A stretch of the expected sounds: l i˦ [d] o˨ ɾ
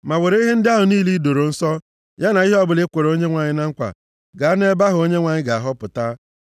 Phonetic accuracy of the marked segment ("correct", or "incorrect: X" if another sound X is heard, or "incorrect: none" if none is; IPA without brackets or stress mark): correct